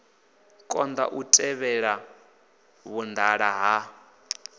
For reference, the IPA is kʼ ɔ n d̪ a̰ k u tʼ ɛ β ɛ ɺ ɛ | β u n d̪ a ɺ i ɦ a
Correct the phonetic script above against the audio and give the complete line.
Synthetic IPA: kʼ ɔ n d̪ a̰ ʔ u tʼ ɛ β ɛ ɺ a | β u n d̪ a ɺ a ɦ a